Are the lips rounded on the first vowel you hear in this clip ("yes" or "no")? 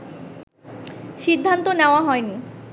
no